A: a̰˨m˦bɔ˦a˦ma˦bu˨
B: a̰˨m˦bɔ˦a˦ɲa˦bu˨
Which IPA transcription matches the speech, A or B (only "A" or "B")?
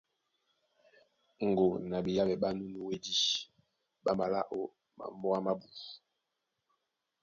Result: A